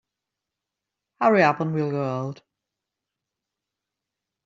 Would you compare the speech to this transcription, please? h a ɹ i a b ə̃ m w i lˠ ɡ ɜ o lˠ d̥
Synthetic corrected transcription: h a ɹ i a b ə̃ n w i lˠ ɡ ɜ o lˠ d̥